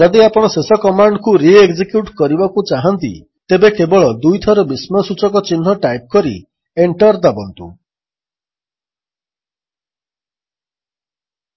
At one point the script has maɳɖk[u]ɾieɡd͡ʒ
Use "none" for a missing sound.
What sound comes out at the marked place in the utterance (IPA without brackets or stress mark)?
u